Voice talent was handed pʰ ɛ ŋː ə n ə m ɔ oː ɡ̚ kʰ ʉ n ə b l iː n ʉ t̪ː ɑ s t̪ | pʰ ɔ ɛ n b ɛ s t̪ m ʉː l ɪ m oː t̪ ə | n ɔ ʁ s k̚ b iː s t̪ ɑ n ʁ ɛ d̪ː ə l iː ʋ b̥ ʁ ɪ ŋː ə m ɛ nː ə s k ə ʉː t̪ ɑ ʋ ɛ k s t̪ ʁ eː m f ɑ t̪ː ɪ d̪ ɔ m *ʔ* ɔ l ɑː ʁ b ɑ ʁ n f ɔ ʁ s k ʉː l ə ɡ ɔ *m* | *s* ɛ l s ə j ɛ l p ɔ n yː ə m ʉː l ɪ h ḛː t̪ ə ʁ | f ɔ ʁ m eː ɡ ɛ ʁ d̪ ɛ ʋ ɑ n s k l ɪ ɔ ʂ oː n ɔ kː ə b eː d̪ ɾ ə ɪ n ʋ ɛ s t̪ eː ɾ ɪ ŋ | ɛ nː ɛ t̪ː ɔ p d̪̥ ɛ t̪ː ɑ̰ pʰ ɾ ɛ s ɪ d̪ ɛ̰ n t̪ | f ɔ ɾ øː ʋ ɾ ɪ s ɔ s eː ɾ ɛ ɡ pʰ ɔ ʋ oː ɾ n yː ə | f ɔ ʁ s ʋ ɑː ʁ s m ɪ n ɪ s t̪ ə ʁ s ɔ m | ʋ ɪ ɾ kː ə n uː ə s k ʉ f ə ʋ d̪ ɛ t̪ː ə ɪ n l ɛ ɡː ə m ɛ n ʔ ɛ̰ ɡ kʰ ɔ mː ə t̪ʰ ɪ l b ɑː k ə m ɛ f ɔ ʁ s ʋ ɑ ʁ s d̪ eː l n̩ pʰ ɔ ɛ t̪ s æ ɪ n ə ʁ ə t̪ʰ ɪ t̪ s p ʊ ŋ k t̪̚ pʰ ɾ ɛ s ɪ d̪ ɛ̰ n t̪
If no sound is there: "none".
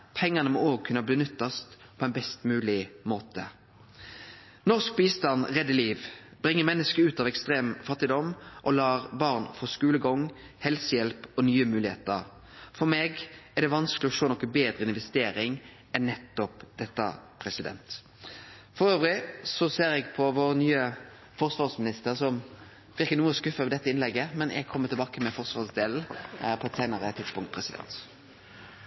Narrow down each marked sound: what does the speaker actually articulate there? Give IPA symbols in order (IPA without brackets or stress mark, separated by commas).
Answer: ʔ, ŋ, h